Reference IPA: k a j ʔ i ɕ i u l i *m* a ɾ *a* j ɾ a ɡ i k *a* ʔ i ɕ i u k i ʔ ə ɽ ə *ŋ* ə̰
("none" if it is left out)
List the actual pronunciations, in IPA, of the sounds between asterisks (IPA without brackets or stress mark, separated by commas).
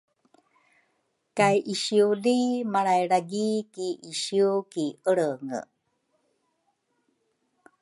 m, a, i, ŋ